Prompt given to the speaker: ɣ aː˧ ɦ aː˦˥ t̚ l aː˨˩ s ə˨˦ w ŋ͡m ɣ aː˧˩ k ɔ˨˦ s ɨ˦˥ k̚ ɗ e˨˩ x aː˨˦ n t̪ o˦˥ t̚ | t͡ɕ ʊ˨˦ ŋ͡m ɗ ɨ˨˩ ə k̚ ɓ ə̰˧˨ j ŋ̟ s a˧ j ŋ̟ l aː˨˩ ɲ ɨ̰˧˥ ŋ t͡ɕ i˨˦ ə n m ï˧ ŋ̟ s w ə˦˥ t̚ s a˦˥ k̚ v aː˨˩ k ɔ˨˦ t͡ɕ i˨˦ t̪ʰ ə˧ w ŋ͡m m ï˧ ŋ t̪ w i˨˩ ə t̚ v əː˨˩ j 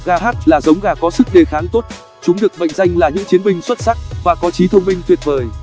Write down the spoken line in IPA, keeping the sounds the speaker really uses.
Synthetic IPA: ɣ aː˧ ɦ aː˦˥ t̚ l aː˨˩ z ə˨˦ w ŋ͡m ɣ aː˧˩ k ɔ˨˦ s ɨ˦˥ k̚ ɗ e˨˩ x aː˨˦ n t̪ o˦˥ t̚ | t͡ɕ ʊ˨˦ ŋ͡m ɗ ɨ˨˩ ə k̚ ɓ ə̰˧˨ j ŋ̟ z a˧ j ŋ̟ l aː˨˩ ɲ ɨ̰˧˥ ŋ t͡ɕ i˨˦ ə n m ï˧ ŋ̟ s w ə˦˥ t̚ s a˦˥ k̚ v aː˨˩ k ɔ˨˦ t͡ɕ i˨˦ t̪ʰ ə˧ w ŋ͡m m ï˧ ŋ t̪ w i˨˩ ə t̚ v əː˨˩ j